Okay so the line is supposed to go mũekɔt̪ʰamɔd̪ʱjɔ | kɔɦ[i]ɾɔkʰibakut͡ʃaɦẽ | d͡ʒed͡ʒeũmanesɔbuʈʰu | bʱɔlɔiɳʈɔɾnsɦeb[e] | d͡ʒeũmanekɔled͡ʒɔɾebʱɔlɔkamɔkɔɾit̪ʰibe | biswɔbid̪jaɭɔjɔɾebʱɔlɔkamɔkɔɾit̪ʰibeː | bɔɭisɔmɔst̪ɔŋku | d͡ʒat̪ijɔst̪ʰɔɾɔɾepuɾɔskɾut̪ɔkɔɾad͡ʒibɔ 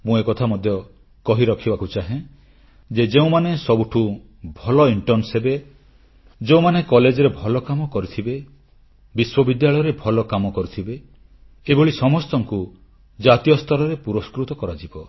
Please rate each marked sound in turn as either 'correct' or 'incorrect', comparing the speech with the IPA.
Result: correct, correct

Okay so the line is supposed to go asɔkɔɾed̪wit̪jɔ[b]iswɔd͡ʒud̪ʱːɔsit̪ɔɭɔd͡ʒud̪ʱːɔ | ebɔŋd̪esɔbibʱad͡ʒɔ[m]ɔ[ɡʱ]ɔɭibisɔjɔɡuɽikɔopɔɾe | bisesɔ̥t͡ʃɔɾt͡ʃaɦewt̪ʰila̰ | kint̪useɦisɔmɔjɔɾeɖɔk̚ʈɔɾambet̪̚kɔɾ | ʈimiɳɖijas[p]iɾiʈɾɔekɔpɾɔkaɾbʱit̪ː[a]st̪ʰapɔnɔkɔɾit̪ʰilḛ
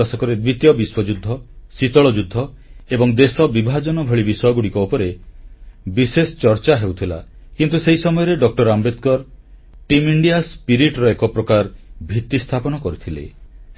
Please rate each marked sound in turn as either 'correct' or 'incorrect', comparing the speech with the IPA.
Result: correct, incorrect: n, incorrect: bʱ, correct, incorrect: i

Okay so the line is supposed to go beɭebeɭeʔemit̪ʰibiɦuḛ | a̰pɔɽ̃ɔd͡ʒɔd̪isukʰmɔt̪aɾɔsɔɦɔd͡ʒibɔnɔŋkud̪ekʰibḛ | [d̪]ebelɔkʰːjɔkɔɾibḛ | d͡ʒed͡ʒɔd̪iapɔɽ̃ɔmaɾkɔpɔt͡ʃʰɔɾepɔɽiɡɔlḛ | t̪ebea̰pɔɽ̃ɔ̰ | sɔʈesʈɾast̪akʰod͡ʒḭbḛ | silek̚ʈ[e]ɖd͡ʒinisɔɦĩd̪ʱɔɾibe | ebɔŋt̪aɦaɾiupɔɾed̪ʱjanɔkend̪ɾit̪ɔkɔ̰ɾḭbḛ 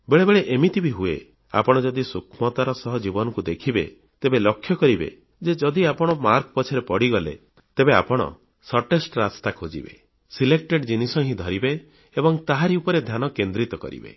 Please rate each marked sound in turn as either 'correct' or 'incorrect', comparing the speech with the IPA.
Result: incorrect: t̪, correct

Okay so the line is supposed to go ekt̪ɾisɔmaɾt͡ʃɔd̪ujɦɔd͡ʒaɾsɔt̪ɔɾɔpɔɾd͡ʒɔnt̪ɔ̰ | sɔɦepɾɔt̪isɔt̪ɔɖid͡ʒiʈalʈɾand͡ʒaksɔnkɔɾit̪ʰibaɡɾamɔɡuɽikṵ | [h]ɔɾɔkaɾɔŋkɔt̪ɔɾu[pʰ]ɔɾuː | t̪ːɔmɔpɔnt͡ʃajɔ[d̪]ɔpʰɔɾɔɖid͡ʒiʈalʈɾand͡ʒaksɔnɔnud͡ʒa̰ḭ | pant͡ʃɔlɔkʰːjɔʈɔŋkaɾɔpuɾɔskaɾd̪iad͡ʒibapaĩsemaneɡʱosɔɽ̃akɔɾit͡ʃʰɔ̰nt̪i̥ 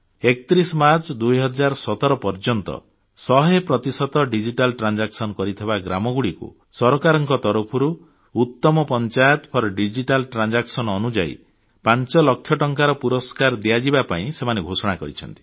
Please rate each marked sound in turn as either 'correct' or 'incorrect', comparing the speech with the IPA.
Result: incorrect: s, correct, incorrect: t̪

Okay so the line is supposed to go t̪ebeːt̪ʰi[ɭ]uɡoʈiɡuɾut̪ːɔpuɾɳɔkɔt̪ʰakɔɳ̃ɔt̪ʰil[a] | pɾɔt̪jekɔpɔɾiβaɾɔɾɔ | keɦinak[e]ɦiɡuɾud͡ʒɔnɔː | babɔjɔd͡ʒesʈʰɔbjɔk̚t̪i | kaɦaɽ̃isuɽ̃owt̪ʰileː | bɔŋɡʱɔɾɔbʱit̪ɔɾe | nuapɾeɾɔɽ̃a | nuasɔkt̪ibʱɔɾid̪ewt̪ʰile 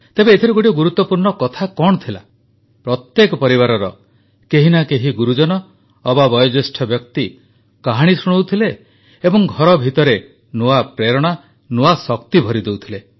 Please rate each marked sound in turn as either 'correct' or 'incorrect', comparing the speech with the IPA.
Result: incorrect: ɾ, correct, correct

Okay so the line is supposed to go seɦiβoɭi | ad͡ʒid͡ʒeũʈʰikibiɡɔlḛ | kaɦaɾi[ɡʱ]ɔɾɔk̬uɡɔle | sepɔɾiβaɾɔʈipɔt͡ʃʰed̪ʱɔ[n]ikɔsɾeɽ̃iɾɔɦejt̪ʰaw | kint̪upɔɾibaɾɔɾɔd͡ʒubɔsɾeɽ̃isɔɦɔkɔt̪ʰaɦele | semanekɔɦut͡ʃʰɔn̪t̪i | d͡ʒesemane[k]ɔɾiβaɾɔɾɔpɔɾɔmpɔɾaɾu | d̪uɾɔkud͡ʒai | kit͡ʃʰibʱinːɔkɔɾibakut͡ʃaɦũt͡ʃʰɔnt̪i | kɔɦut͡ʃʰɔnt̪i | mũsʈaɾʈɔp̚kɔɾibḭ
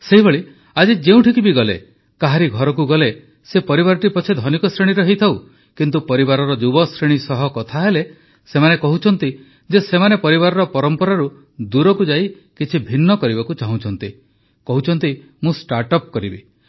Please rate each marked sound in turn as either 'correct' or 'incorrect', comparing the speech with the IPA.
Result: correct, correct, incorrect: p

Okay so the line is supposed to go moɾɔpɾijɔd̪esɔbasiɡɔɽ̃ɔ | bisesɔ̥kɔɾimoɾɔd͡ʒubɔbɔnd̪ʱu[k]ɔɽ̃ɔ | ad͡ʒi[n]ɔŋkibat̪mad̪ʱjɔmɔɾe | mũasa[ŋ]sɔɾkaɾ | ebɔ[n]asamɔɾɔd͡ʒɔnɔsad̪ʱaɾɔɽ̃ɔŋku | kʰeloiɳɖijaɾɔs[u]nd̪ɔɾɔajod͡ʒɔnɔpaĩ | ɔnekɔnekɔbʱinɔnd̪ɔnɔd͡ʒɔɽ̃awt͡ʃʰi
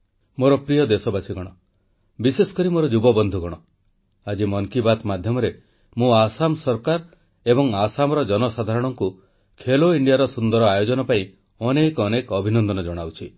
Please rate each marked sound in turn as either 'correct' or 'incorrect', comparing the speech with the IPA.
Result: incorrect: ɡ, incorrect: m, incorrect: m, incorrect: ŋ, correct

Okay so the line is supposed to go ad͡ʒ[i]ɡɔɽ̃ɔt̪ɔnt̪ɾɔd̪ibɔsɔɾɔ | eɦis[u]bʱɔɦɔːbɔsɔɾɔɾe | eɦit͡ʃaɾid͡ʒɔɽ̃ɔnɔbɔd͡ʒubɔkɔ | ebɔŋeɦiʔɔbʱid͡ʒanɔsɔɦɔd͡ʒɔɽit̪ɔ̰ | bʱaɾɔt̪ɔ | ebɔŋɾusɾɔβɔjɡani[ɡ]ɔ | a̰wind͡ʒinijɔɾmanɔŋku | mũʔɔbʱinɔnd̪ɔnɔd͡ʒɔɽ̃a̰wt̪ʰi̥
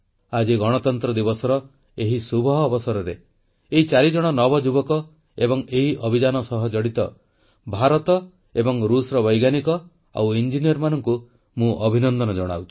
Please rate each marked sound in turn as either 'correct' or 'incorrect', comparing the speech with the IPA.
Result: correct, correct, incorrect: k

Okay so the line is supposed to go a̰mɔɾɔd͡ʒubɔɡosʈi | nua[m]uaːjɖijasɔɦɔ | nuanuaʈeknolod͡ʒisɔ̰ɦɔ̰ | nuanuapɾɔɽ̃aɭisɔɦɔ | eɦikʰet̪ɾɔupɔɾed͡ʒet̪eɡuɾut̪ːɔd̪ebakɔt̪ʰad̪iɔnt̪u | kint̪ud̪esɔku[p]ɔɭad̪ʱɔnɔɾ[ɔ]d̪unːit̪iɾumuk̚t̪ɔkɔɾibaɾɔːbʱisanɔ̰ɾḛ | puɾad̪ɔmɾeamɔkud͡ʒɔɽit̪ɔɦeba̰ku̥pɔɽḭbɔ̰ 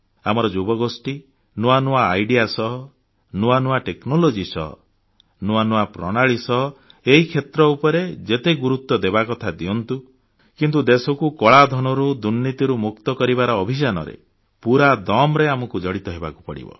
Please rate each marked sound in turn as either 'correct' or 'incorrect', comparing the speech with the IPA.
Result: incorrect: n, incorrect: k, incorrect: u

